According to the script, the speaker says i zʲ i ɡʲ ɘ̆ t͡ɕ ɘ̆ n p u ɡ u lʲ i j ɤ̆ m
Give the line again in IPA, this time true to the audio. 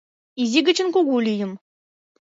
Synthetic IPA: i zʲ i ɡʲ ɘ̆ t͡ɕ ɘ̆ n k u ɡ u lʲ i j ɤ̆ m